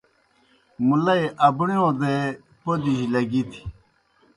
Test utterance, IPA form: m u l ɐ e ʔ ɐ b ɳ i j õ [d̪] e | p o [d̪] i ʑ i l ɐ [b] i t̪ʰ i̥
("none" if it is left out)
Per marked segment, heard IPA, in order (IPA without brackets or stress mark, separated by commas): d̪, d̪, ɡ